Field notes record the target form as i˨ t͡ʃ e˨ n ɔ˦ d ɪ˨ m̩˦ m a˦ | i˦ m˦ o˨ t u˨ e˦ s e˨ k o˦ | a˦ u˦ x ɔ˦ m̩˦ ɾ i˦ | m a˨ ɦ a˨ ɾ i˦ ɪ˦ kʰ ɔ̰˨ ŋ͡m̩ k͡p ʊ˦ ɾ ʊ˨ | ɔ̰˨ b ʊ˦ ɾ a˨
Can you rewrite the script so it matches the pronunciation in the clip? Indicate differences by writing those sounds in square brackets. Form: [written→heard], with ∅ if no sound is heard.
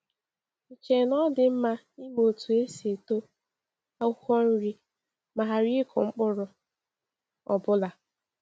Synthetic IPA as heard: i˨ t͡ʃ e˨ n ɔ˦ d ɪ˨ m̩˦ m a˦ | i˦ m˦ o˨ t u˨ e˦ s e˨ [k→t] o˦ | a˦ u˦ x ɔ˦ [m̩˦→n̩˦] ɾ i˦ | m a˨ ɦ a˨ ɾ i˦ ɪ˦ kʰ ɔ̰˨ ŋ͡m̩ k͡p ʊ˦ ɾ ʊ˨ | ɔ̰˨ b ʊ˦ [ɾ→l] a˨